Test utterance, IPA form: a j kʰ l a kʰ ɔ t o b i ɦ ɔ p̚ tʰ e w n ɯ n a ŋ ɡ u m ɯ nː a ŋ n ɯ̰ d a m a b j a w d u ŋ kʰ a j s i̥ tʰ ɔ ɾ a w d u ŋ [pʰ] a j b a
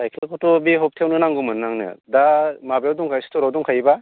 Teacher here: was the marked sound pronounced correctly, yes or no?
no